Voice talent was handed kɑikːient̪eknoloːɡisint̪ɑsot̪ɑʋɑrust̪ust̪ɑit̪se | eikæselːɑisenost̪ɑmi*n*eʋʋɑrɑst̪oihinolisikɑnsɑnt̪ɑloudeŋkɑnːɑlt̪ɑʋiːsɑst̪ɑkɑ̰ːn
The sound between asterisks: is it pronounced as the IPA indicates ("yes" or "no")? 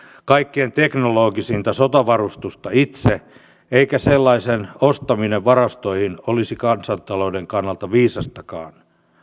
yes